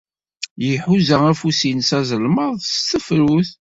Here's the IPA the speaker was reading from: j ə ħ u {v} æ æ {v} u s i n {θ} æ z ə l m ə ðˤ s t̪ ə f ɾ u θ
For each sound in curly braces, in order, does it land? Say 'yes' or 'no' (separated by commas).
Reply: no, no, no